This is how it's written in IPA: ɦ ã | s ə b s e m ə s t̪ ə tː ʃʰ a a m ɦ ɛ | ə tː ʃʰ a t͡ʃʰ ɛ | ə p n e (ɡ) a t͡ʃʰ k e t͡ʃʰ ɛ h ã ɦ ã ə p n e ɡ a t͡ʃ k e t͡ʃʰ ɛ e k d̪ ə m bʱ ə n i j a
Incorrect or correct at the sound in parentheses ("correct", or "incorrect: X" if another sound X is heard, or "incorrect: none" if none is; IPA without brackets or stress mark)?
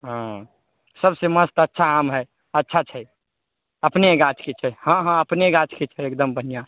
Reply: correct